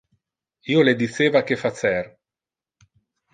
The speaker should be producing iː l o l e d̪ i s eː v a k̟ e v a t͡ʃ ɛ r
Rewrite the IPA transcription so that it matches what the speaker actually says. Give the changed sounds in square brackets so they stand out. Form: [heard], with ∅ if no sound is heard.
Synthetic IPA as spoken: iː [∅] o l e d̪ i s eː v a k̟ e [f] a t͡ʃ ɛ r